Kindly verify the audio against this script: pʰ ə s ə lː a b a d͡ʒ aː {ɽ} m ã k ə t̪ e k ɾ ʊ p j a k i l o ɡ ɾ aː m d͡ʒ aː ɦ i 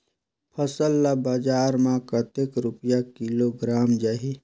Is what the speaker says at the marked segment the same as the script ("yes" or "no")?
no